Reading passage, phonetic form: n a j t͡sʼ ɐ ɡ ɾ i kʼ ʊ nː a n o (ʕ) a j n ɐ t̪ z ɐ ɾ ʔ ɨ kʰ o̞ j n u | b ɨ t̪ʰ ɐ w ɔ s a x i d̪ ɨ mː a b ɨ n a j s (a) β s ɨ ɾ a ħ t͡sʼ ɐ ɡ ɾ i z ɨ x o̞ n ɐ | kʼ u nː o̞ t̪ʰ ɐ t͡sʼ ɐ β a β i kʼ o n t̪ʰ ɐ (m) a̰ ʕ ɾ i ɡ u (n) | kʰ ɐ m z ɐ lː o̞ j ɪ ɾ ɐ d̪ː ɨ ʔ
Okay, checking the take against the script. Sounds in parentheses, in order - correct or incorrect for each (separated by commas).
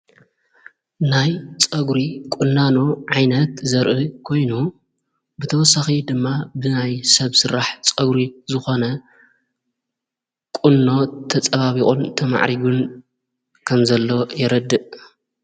correct, incorrect, correct, correct